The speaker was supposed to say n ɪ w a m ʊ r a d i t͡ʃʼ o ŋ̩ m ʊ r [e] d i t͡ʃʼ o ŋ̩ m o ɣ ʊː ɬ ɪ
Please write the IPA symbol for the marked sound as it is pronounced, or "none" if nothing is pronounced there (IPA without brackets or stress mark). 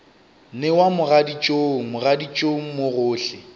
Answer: a